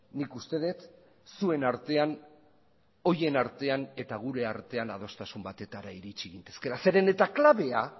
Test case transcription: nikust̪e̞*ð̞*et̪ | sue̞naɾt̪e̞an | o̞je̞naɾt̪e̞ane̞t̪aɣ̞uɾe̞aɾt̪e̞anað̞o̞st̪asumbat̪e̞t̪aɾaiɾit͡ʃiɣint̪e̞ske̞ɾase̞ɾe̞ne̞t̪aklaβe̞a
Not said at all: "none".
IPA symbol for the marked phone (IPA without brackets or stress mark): ð̞